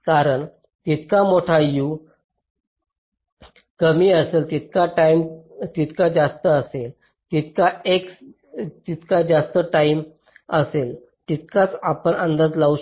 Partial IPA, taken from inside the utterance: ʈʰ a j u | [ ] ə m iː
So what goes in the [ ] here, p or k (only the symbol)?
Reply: k